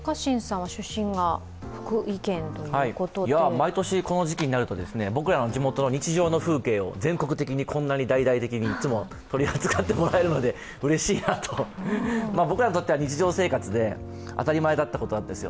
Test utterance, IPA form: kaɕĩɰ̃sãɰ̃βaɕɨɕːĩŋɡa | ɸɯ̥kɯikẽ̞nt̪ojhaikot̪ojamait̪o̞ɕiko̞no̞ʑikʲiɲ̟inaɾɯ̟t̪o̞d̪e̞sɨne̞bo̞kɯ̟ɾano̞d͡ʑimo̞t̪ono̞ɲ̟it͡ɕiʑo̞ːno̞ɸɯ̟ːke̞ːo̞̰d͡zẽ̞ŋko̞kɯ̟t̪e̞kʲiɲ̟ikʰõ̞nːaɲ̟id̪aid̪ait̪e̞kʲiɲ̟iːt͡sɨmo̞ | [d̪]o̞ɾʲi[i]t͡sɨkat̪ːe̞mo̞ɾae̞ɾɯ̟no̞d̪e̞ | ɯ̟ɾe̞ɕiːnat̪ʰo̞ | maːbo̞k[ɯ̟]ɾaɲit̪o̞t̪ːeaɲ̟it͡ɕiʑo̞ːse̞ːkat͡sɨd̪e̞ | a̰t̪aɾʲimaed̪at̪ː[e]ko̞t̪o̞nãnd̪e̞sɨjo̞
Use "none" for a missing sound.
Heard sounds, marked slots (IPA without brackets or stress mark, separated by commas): t̪, a, ɯ̟, a